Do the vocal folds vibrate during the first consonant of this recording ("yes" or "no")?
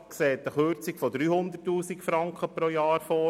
no